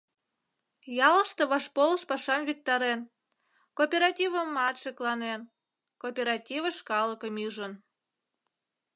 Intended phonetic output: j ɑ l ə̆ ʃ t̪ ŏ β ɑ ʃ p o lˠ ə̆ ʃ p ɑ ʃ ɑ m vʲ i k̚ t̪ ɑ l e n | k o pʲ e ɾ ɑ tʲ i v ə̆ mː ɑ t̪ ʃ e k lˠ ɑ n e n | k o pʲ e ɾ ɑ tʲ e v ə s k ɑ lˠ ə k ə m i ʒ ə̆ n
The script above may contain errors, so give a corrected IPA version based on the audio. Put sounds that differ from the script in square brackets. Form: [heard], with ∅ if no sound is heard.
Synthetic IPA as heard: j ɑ l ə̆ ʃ t̪ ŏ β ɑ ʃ p o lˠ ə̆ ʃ p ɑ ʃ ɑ m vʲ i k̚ t̪ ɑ [ɾ] e n | k o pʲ e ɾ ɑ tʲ i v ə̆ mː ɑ t̪ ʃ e k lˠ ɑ n e n | k o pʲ e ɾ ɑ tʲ [i] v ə [ʃ] k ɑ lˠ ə k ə m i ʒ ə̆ n